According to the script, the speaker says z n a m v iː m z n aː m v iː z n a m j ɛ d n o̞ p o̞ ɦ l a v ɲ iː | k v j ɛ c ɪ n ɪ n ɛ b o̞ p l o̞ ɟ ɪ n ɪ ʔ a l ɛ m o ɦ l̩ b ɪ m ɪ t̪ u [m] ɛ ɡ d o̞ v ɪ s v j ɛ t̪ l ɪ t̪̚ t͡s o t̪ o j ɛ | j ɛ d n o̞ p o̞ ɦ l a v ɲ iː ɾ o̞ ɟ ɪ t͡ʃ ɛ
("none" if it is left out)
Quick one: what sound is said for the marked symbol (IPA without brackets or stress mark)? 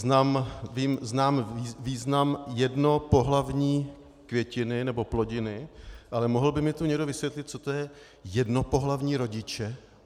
ɲ